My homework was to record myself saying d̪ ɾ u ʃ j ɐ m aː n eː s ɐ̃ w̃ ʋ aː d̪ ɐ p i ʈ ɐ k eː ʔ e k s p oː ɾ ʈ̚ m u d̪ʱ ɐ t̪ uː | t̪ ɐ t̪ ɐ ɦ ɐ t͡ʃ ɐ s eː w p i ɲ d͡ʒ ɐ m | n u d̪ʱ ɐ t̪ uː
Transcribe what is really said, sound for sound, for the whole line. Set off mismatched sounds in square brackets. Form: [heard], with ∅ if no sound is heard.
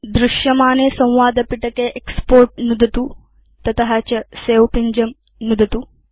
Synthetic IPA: d̪ ɾ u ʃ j ɐ m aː n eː s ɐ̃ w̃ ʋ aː d̪ ɐ p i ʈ ɐ k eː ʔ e k s p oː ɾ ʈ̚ [n] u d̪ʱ ɐ t̪ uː | t̪ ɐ t̪ ɐ ɦ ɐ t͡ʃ ɐ s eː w p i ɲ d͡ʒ ɐ m | n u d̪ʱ ɐ t̪ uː